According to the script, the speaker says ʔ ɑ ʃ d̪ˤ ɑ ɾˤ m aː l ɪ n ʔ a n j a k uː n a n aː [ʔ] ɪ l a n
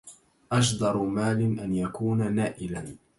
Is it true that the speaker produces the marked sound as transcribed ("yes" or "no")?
yes